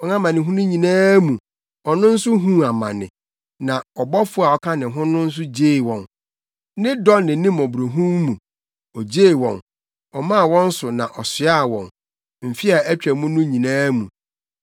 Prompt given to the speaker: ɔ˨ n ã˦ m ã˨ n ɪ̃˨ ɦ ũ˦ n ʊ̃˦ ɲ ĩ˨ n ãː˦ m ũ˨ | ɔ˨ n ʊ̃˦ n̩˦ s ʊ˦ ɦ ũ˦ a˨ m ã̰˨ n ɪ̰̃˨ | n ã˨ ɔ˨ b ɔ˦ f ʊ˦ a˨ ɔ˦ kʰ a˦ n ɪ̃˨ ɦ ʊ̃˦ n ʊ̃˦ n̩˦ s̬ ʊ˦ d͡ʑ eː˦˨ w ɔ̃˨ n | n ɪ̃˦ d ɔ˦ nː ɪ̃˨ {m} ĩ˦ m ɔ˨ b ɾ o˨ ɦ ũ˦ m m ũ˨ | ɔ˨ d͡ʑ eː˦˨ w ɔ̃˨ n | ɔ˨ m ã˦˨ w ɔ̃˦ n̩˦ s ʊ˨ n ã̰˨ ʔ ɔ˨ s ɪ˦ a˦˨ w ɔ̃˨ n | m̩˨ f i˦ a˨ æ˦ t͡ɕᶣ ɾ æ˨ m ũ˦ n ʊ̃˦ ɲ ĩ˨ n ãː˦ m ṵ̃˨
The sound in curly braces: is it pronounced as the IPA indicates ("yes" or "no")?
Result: no